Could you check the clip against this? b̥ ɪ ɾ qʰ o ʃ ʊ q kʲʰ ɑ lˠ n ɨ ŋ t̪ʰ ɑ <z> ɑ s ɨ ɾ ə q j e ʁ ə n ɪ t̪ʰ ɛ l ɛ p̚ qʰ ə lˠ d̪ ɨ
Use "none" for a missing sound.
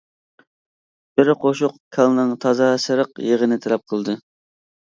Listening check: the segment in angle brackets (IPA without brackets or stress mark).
z